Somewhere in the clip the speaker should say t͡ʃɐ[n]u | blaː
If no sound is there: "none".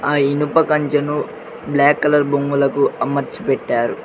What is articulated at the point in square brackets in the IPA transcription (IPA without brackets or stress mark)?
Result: n